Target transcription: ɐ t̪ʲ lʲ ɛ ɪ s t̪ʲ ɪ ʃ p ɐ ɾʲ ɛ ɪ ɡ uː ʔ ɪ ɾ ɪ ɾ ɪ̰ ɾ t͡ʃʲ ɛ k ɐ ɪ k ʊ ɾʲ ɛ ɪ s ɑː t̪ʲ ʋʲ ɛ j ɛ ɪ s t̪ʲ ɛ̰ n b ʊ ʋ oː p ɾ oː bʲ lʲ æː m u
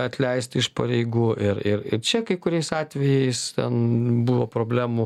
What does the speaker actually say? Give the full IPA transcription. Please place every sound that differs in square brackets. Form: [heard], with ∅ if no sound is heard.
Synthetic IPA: ɐ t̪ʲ lʲ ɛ ɪ s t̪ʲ ɪ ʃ p ɐ ɾʲ ɛ ɪ ɡ uː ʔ ɪ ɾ ɪ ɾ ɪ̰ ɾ t͡ʃʲ ɛ k ɐ ɪ k ʊ ɾʲ ɛ ɪ s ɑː t̪ʲ ʋʲ ɛ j ɛ ɪ s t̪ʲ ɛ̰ n b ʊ ʋ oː p ɾ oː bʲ lʲ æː m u